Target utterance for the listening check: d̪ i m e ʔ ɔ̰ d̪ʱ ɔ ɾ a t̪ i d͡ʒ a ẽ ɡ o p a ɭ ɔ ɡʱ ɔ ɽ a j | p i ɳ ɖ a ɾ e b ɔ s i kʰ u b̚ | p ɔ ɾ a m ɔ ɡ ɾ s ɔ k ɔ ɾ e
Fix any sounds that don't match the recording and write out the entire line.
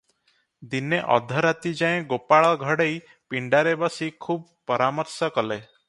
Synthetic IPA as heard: d̪ i n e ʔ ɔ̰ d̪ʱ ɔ ɾ a t̪ i d͡ʒ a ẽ ɡ o p a ɭ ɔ ɡʱ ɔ ɽ e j | p i ɳ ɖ a ɾ e b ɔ s i kʰ u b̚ | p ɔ ɾ a m ɔ ɾ s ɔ k ɔ l e